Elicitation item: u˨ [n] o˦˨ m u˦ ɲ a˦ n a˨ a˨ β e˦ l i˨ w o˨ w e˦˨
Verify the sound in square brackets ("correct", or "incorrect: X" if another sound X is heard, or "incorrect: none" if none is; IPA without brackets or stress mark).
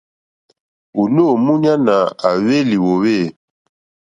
correct